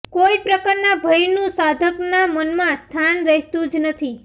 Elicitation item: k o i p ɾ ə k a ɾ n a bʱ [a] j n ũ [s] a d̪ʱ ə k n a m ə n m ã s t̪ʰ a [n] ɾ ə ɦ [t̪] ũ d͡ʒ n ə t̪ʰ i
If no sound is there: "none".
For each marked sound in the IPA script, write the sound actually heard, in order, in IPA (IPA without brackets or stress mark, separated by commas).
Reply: ə, s, n, t̪